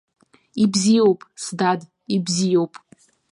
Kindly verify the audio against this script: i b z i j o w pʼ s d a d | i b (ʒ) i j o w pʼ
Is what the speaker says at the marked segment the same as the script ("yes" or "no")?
no